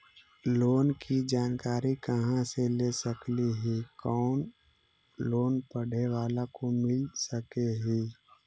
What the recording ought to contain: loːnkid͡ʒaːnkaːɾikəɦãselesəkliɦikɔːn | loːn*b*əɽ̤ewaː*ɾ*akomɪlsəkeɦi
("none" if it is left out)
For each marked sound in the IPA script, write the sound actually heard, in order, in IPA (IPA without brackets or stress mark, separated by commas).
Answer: p, l